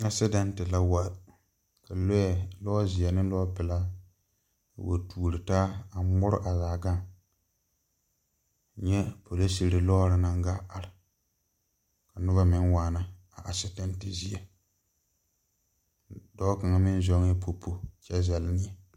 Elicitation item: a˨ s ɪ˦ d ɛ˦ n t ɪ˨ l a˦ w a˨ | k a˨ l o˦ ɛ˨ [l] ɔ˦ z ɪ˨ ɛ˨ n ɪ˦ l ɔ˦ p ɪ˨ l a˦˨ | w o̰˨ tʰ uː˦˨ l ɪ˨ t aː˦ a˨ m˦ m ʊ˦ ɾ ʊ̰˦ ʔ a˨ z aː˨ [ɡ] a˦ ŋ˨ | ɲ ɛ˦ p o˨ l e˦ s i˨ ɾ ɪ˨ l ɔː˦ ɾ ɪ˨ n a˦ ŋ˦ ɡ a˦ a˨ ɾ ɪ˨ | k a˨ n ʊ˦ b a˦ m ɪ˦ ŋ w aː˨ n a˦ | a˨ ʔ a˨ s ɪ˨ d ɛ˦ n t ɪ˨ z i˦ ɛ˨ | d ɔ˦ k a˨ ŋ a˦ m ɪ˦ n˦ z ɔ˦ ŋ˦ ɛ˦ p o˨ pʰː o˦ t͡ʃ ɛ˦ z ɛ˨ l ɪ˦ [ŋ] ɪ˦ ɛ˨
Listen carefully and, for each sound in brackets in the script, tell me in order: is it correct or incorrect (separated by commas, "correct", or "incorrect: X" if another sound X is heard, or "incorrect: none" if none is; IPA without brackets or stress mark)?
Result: correct, correct, incorrect: n